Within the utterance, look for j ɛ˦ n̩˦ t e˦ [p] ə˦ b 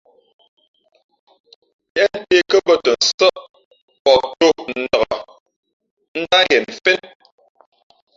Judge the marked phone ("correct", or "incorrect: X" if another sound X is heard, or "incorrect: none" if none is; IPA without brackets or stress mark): incorrect: k